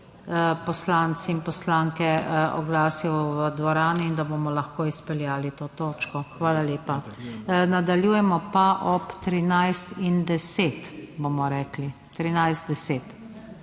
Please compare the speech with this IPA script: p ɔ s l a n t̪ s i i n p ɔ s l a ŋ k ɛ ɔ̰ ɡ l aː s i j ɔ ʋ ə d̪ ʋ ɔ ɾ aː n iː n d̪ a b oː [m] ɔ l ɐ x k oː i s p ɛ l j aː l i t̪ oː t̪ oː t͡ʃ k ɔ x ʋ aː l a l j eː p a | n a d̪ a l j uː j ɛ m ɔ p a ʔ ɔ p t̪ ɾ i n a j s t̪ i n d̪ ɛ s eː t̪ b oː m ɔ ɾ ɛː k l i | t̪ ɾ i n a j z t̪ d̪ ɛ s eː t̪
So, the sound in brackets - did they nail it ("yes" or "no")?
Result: yes